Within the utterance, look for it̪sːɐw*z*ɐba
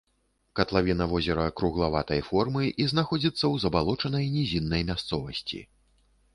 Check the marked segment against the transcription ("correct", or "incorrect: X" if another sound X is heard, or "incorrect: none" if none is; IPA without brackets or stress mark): correct